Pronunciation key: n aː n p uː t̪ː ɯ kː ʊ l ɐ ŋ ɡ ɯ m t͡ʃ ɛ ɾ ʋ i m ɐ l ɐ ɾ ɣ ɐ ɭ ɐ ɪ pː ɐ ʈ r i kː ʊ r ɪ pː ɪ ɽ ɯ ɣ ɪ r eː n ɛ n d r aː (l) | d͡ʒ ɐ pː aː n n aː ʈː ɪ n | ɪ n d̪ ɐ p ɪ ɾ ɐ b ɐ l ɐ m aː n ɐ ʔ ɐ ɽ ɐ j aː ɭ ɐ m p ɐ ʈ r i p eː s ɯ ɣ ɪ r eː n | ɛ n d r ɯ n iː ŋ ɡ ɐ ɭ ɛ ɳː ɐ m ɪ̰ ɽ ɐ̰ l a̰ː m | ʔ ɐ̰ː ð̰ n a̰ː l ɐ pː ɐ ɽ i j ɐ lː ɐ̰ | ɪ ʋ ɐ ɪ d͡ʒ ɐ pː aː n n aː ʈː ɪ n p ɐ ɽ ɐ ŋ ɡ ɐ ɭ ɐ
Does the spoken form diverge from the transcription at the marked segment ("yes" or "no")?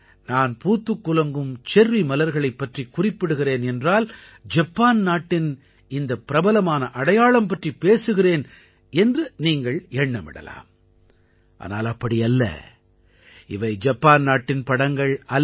no